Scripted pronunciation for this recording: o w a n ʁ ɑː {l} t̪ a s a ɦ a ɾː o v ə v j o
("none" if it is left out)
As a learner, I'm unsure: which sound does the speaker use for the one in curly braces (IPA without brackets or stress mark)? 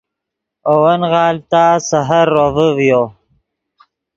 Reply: l